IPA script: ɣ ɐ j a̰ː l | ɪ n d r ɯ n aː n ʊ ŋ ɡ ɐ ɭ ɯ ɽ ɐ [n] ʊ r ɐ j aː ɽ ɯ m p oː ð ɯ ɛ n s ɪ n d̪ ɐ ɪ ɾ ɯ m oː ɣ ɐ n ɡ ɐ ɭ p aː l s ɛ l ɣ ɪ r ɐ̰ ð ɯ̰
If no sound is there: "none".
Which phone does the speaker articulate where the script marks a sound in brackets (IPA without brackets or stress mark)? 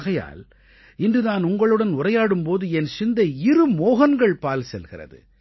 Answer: n